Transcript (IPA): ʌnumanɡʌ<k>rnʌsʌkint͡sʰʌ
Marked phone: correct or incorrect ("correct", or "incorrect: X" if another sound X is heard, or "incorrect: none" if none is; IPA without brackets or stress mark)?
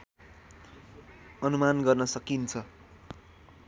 incorrect: none